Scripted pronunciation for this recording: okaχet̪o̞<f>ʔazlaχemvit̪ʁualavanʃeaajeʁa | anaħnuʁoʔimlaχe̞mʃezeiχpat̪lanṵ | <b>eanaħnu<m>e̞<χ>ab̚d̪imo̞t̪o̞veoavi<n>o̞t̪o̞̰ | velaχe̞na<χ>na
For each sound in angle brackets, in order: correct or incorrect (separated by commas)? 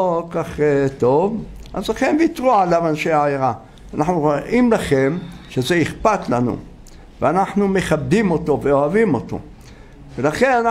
incorrect, incorrect, correct, correct, incorrect, incorrect